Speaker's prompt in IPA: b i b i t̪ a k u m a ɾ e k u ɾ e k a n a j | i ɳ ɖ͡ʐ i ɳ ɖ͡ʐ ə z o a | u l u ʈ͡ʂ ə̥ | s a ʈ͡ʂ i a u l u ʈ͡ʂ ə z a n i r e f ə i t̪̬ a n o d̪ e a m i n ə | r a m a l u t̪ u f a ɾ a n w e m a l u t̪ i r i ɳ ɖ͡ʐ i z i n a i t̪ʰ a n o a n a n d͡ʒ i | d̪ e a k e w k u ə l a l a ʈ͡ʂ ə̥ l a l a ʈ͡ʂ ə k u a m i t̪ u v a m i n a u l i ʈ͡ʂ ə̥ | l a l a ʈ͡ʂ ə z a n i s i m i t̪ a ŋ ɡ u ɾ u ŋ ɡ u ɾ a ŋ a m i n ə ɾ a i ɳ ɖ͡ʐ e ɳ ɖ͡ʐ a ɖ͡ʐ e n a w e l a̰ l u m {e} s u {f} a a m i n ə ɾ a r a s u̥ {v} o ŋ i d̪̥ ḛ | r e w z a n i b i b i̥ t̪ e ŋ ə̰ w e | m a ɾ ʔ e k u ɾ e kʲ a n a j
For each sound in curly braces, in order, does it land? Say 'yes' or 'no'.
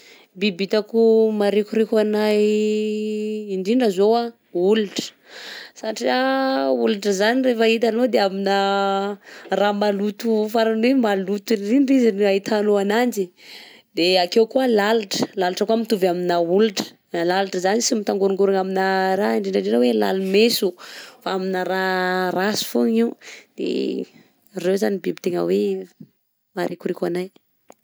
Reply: yes, yes, no

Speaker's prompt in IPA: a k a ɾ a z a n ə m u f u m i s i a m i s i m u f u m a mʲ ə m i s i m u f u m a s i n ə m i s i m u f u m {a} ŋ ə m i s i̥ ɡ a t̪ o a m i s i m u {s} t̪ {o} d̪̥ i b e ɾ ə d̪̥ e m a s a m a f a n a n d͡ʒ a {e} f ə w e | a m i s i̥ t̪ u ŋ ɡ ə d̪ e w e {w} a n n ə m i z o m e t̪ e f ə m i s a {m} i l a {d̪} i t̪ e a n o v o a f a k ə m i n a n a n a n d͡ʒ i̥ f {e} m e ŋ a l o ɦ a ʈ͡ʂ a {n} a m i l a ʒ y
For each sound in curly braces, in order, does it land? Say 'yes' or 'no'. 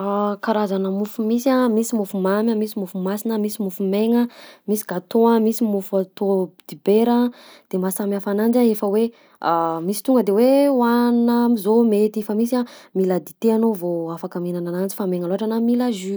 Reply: no, no, yes, yes, yes, yes, yes, no, yes

